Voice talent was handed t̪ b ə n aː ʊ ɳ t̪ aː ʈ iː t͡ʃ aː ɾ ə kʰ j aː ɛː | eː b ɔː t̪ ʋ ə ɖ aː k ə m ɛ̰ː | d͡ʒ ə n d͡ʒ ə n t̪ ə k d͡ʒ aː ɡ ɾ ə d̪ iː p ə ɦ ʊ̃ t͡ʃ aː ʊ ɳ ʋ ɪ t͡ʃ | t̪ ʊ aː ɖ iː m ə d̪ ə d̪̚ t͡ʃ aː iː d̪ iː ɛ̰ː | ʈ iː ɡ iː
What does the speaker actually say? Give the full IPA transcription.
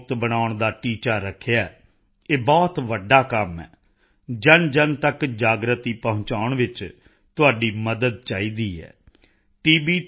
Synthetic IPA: t̪ b ə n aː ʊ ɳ d̪ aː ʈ iː t͡ʃ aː ɾ ə kʰ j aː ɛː | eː b ɔː t̪ ʋ ə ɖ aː k ə m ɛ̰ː | d͡ʒ ə n d͡ʒ ə n t̪ ə k d͡ʒ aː ɡ ɾ ə t̪ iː p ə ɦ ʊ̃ t͡ʃ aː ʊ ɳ ʋ ɪ t͡ʃ | t̪ ʊ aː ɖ iː m ə d̪ ə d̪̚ t͡ʃ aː iː d̪ iː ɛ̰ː | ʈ iː b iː